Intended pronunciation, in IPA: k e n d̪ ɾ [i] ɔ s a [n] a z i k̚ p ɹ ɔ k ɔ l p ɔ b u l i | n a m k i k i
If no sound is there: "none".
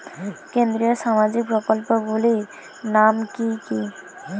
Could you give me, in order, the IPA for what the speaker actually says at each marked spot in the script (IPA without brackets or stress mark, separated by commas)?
i, m